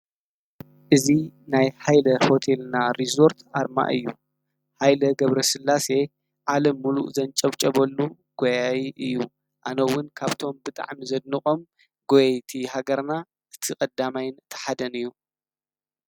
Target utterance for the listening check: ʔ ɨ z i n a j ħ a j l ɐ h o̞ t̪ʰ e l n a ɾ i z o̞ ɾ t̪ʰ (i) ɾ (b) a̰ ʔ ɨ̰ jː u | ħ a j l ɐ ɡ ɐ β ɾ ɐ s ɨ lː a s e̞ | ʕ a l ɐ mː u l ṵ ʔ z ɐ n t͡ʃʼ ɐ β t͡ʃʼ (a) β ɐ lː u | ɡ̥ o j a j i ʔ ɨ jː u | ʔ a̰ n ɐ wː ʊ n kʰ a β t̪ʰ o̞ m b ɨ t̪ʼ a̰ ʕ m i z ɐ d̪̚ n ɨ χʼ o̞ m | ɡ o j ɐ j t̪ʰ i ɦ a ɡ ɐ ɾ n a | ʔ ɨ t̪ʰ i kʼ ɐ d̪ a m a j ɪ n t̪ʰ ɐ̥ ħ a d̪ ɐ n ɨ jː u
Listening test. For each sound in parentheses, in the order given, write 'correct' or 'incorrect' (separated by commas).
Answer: incorrect, incorrect, incorrect